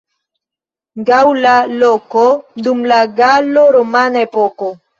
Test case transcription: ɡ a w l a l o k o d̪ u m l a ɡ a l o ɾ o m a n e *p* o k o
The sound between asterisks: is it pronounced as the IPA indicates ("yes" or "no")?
yes